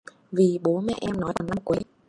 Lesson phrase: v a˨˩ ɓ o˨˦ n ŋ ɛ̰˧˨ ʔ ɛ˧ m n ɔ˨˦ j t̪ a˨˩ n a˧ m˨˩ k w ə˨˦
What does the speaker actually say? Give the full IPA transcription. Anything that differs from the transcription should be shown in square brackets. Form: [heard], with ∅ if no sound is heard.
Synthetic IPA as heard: v [i˨˩] ɓ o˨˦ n [m] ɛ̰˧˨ ʔ ɛ˧ m n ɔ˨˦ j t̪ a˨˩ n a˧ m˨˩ k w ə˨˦